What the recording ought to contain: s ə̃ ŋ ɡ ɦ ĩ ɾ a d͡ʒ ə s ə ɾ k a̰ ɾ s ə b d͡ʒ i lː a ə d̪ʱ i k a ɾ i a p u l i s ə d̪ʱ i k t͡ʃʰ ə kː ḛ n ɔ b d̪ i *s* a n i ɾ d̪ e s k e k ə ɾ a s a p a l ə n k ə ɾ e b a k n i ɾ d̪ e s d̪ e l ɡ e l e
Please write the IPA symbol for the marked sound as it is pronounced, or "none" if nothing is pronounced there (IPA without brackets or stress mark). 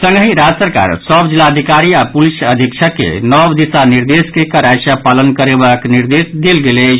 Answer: s